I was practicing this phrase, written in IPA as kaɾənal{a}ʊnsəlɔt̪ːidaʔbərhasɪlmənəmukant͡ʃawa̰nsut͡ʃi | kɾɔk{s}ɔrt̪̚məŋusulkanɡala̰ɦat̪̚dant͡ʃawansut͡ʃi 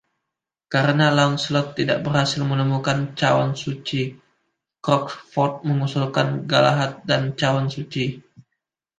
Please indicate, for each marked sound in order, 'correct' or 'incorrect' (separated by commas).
correct, incorrect